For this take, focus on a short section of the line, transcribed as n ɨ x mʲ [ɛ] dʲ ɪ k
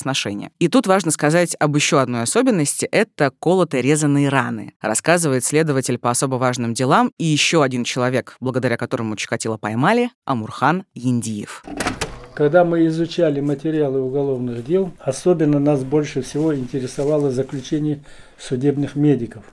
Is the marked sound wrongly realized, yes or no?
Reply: yes